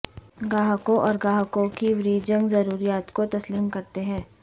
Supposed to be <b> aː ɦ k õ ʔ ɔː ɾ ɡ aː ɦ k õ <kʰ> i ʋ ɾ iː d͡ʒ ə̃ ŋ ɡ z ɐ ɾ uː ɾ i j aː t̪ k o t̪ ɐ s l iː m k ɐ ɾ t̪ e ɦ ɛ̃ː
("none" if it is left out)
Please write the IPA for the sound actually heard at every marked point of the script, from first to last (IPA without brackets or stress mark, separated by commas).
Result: ɡ, k